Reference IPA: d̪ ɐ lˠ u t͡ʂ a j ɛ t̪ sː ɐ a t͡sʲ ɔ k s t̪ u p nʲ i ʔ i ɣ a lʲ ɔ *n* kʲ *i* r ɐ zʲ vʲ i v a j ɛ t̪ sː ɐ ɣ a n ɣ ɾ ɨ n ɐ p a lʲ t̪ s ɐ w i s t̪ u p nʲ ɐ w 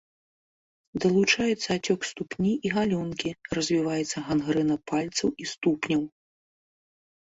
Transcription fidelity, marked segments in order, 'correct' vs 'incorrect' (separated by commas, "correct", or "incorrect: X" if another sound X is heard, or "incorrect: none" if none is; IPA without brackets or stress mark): correct, correct